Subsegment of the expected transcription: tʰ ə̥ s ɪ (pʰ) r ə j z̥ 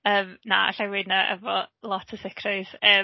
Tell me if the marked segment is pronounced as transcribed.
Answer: no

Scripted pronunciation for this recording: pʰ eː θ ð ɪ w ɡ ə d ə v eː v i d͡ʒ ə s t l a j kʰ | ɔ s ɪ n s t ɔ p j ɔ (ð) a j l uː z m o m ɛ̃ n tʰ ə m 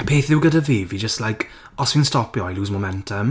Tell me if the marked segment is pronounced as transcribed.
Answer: no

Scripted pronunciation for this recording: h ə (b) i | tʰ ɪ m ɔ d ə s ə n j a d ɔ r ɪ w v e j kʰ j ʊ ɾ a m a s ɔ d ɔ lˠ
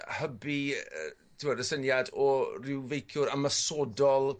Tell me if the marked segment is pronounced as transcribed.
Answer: yes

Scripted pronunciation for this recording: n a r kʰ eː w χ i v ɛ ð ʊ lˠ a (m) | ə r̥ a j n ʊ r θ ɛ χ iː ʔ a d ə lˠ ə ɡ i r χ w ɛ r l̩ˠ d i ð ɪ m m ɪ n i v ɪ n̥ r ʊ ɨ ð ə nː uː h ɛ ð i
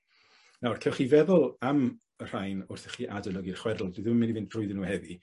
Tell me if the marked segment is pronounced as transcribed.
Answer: yes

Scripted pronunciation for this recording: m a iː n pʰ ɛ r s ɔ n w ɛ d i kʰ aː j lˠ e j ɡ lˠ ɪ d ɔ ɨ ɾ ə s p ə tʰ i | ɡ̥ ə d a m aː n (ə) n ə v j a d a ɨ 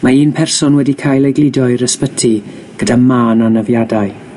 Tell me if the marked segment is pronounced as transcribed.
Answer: no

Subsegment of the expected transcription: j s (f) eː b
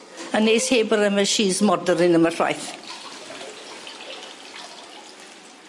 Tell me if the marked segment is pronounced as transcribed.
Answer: no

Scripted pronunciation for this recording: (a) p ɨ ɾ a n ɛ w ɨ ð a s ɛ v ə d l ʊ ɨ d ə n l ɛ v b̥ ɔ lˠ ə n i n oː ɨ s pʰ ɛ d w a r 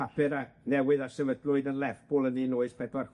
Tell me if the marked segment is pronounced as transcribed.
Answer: yes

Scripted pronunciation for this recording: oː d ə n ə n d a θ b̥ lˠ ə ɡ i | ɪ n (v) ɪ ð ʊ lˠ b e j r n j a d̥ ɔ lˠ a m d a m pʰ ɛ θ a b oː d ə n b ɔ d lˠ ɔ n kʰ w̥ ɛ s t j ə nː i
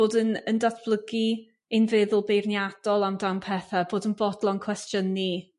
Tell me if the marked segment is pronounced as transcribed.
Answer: yes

